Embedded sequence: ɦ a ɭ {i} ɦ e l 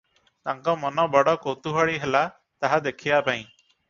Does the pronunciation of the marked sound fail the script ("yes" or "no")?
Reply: no